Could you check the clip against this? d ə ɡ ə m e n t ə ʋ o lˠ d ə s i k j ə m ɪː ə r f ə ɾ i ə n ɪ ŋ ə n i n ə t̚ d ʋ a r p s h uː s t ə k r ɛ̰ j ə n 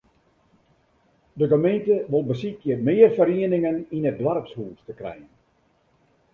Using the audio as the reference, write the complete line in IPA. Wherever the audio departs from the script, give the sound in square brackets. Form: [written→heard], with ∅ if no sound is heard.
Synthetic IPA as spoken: d ə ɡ ə m e n t ə ʋ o lˠ [d→b] ə s i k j ə m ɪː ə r f ə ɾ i ə n ɪ ŋ ə n i n ə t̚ d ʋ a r p s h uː s t ə k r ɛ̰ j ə n